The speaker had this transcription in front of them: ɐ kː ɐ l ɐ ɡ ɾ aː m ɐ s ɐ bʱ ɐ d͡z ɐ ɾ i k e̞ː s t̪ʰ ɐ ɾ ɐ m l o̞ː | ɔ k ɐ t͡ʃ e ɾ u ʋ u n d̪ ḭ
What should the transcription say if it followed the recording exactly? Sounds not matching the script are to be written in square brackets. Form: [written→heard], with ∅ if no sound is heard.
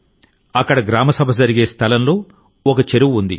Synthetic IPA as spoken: ɐ kː ɐ [l→ɽ] ɐ ɡ ɾ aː m ɐ s ɐ bʱ ɐ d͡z ɐ ɾ i [k→ɡ] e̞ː s t̪ʰ ɐ [ɾ→l] ɐ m l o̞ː | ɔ k ɐ t͡ʃ e ɾ u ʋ u n d̪ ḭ